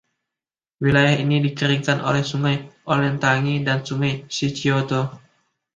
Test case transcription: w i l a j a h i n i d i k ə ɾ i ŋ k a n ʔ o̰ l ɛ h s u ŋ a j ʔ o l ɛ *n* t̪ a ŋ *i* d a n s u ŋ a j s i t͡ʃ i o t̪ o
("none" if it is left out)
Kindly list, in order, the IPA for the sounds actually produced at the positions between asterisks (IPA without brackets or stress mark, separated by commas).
n, i